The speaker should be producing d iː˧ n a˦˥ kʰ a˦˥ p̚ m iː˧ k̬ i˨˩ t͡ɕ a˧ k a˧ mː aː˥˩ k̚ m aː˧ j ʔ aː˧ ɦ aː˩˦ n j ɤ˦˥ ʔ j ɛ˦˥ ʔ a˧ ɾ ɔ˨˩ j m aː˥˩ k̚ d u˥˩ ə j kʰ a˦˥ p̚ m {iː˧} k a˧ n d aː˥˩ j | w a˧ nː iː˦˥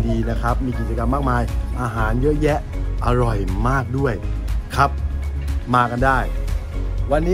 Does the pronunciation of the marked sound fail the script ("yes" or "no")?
yes